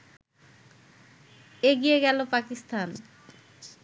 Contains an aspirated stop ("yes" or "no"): no